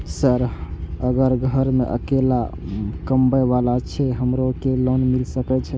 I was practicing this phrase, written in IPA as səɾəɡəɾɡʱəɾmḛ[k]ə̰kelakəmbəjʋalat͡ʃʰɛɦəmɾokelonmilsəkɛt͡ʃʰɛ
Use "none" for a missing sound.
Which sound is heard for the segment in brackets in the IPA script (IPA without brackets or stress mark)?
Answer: ʔ